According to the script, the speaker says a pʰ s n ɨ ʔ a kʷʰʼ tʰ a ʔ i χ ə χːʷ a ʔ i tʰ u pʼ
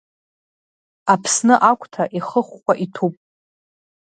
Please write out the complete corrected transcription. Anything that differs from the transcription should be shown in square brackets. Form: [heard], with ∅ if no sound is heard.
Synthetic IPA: a pʰ s n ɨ ʔ a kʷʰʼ tʰ a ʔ i χ ə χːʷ a ʔ i tʰ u pʼ

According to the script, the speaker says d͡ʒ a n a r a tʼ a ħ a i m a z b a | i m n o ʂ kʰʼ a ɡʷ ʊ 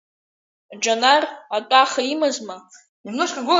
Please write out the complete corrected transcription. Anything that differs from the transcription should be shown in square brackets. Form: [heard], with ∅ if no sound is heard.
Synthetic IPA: d͡ʒ a n a r a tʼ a [χ] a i m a z [m] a | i m n o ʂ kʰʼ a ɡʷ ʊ

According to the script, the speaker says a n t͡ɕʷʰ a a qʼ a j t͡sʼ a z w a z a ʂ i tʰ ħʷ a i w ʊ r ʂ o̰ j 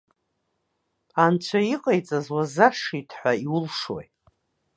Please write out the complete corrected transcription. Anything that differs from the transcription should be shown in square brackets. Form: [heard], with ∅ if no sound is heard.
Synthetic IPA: a n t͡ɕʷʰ a [i] qʼ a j t͡sʼ a z w a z a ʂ i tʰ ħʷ a i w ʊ [l] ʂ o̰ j

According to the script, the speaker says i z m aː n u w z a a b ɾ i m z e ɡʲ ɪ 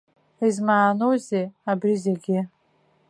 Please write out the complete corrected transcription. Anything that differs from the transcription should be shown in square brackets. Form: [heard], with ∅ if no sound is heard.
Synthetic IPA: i z m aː n [o] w z [e] a b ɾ i [∅] z e ɡʲ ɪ

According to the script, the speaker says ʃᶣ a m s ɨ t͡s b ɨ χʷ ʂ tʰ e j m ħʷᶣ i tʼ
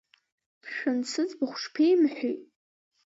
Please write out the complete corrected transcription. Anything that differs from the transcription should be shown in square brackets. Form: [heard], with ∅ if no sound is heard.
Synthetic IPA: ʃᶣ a [n] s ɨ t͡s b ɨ χʷ ʂ [pʰ] e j m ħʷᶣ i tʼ

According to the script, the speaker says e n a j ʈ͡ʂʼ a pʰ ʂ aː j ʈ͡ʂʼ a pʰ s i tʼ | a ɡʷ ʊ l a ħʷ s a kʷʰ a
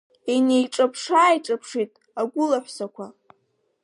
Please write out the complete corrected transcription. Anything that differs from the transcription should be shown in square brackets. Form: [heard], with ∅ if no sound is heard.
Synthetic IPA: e n [e] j ʈ͡ʂʼ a pʰ ʂ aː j ʈ͡ʂʼ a pʰ [ʂ] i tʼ | a ɡʷ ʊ l a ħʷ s a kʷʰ a

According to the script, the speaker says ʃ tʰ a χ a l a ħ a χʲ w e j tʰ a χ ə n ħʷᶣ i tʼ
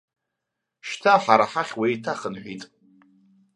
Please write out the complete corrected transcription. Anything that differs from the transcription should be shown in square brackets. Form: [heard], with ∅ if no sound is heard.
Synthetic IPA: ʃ tʰ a [ħ] a [ɾ] a ħ a χʲ w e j tʰ a χ ə n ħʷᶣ i tʼ

